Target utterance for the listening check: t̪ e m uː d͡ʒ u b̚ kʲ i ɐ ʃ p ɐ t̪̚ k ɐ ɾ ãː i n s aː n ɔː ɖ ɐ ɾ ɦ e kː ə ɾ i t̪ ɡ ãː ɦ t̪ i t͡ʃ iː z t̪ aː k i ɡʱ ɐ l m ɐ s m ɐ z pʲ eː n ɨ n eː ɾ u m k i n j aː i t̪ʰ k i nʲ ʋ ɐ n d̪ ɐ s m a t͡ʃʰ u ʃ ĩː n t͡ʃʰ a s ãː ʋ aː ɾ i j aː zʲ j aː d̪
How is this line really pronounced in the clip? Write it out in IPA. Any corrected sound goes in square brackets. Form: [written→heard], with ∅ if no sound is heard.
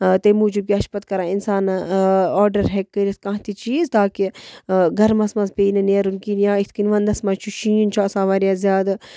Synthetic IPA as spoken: t̪ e m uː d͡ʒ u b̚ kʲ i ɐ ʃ p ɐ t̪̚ k ɐ ɾ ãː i n s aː n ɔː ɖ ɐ ɾ ɦ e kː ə ɾ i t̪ [ɡ→k] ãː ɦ t̪ i t͡ʃ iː z t̪ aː k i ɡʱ ɐ [l→ɾ] m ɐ s m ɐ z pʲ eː n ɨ n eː ɾ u [m→n] k i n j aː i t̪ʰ k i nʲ ʋ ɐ n d̪ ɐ s m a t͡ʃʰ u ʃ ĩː n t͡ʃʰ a s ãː ʋ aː ɾ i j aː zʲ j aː d̪